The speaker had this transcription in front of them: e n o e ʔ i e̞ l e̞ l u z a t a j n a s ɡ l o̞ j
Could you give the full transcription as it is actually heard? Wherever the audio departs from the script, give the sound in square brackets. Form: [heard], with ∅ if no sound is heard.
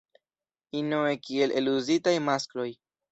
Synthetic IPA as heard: [i] n o e [k] i e̞ l e̞ l u z [i] t a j [m] a s [k] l o̞ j